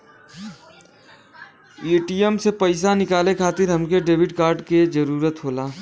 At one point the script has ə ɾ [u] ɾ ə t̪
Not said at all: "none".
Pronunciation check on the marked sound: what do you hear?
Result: uː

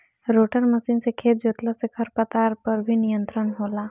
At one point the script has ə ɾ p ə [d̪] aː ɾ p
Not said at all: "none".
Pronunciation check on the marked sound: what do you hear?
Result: t̪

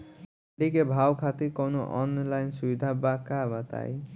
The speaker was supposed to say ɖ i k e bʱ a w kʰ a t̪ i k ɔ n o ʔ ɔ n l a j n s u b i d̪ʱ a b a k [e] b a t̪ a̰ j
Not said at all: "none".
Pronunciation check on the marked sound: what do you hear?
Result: a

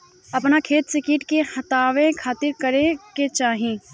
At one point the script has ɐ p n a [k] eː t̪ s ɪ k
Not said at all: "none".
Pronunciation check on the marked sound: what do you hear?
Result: kʰ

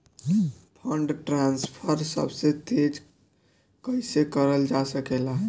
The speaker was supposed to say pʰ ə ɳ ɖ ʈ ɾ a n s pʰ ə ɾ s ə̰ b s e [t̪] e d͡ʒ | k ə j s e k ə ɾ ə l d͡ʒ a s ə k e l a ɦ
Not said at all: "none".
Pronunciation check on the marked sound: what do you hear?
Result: t̪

